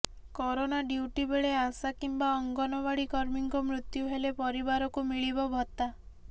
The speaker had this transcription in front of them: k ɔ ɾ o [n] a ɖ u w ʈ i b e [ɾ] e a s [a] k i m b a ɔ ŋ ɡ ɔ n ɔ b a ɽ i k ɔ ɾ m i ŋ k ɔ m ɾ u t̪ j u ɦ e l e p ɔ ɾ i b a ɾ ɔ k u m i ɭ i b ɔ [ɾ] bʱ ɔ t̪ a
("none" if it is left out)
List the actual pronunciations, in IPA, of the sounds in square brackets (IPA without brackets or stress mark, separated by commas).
n, ɭ, a, none